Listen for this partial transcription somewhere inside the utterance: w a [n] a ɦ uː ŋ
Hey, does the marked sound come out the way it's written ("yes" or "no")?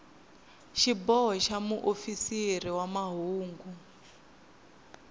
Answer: no